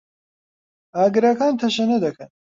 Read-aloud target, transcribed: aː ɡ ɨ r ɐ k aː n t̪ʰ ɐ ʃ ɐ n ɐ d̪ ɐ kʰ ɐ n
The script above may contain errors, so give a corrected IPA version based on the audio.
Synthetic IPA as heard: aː ɡ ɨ ɾ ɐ k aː n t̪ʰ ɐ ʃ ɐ n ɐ d̪ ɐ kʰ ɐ n

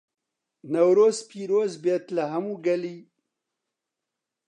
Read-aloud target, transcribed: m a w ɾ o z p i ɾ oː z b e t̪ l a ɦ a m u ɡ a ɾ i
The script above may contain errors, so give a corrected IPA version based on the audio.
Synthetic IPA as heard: n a w ɾ o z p i ɾ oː z b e t̪ l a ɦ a m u ɡ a l i

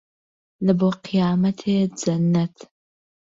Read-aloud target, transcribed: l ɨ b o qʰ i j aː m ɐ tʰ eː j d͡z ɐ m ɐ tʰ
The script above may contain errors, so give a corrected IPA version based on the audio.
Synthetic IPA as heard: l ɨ b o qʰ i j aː m ɐ tʰ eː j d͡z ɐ n ɐ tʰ

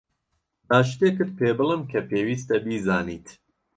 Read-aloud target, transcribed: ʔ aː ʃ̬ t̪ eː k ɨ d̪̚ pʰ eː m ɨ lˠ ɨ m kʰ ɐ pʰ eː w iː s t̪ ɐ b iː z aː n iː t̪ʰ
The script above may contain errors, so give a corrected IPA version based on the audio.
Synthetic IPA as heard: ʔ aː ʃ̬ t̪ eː k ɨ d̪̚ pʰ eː b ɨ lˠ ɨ m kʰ ɐ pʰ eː w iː s t̪ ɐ b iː z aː n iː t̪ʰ

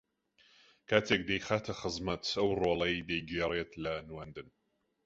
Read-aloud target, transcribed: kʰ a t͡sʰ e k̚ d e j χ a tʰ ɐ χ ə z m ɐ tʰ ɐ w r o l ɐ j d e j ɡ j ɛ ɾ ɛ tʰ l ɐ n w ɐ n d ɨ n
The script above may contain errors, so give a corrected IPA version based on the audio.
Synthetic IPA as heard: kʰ a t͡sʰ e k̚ d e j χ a tʰ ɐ χ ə z m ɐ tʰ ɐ w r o l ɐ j d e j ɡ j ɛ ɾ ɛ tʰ l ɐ n w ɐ n d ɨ n

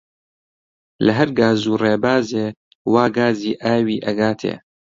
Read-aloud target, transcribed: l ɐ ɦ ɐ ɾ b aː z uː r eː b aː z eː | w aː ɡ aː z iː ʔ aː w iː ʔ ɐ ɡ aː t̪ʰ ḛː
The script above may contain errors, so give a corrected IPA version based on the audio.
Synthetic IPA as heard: l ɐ ɦ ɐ ɾ ɡ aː z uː r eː b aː z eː | w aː ɡ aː z iː ʔ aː w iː ʔ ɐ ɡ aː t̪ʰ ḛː

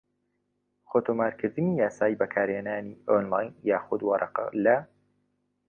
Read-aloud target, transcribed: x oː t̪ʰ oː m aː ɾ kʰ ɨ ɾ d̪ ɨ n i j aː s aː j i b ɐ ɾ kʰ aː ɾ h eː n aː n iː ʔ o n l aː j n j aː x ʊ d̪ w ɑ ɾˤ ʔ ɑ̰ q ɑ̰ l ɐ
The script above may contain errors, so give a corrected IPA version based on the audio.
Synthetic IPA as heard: x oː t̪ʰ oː m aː ɾ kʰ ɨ ɾ d̪ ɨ n i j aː s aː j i b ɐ kʰ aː ɾ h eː n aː n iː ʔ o n l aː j n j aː x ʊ d̪ w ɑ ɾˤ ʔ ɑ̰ q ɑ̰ l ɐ

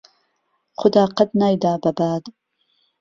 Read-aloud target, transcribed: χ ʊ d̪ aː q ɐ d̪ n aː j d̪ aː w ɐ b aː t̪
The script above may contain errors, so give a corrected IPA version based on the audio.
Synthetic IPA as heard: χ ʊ d̪ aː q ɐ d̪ n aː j d̪ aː b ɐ b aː d̪

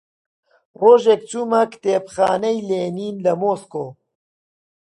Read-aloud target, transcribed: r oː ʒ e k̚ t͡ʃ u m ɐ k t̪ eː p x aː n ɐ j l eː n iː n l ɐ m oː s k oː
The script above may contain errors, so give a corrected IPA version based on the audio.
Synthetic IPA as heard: r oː ʒ e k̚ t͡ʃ u m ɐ k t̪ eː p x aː n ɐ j l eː n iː n l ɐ m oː s k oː

